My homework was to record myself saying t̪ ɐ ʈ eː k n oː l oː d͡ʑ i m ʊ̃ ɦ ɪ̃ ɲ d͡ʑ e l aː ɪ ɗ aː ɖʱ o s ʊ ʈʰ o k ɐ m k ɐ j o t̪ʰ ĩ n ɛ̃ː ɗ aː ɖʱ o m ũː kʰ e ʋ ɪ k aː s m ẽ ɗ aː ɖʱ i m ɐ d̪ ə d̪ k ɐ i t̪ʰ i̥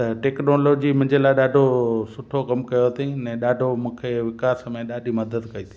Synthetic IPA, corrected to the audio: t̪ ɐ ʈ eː k n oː l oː d͡ʑ i m ʊ̃ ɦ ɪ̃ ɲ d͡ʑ e l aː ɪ ɗ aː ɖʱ o s ʊ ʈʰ o k ɐ m k ɐ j o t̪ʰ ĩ n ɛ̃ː ɗ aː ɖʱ o m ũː kʰ e ʋ ɪ k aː s m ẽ ɗ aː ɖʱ i m ɐ d̪ ə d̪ k ɐ i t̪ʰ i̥